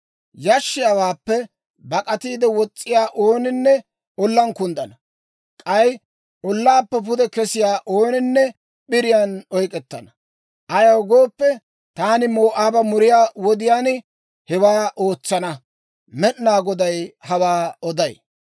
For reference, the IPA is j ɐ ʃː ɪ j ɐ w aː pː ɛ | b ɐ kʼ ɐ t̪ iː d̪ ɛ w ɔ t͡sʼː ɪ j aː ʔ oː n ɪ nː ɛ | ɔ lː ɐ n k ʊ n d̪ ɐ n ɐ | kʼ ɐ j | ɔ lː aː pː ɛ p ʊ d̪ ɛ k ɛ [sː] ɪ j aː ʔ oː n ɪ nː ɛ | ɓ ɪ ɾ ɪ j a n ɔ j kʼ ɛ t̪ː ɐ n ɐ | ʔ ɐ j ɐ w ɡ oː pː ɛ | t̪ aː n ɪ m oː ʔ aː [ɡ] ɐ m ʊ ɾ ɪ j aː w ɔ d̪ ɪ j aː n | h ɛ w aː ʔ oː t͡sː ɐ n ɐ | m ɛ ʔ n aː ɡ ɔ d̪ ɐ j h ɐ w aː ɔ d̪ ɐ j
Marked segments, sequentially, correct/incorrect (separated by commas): incorrect, incorrect